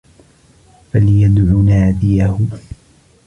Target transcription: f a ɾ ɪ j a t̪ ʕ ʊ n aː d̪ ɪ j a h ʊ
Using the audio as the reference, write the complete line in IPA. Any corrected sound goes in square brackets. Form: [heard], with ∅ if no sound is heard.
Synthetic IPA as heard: f a [l] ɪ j a [d̪] ʕ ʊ n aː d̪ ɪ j a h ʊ